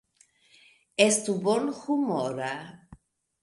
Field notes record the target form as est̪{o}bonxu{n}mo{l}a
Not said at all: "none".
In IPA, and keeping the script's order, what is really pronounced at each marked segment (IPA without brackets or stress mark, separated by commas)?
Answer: u, none, ɾ